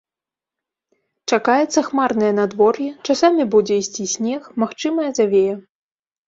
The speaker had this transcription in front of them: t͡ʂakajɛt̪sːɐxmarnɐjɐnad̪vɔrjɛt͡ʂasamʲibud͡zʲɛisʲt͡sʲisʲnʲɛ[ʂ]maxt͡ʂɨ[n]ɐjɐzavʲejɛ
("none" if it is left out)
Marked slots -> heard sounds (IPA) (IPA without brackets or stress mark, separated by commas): x, m